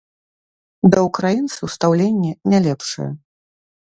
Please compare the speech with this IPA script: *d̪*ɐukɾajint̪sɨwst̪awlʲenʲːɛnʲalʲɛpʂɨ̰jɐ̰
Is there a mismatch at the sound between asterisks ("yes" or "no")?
no